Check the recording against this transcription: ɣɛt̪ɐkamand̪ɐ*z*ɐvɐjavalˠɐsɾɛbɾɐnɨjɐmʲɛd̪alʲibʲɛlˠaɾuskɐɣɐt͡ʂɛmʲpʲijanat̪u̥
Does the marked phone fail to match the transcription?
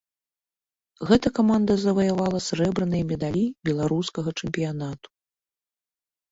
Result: no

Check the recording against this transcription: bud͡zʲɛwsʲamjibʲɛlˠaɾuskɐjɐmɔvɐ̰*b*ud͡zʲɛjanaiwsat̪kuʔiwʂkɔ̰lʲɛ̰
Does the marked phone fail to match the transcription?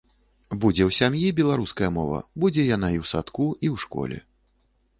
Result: no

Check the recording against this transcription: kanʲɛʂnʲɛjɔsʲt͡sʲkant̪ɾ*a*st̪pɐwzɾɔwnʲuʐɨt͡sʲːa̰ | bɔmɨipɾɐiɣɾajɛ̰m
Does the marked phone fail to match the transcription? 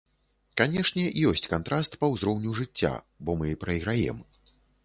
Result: no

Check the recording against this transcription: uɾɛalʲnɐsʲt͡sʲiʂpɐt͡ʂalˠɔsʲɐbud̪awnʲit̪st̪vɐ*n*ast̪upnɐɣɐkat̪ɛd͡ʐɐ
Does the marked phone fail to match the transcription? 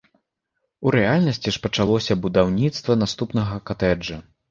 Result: no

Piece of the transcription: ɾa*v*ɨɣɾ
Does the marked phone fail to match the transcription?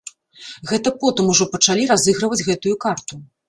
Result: yes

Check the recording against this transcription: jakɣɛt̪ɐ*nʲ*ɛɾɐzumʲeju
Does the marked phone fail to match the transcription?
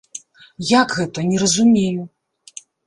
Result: no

